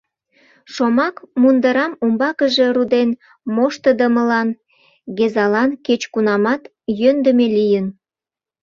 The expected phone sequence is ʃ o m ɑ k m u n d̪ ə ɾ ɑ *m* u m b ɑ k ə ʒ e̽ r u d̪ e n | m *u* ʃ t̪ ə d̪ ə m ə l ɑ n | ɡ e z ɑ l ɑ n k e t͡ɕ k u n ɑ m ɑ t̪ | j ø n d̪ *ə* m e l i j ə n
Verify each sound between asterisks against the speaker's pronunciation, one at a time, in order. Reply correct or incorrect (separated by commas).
correct, incorrect, correct